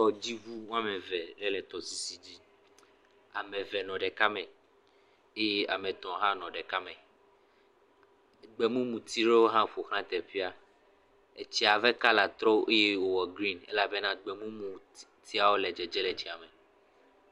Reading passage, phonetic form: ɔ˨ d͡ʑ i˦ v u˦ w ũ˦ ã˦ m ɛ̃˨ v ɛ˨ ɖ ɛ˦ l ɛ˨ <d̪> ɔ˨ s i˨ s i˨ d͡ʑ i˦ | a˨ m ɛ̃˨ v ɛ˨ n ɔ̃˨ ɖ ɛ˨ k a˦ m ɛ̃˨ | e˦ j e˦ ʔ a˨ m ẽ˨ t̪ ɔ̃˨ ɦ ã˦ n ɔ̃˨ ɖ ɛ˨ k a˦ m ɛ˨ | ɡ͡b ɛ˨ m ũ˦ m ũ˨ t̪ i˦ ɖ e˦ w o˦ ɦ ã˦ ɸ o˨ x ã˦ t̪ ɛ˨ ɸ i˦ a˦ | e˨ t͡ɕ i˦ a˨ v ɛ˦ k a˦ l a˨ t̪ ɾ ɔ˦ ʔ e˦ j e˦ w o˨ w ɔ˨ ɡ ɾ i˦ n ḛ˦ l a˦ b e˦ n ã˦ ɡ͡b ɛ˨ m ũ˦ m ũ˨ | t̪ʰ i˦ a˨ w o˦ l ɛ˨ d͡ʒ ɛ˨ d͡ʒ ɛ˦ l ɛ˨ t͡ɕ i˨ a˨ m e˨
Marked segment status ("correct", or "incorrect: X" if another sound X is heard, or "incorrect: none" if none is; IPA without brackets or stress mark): incorrect: t̪